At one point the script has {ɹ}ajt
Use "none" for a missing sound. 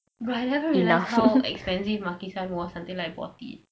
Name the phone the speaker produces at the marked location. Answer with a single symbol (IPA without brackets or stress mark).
ɹ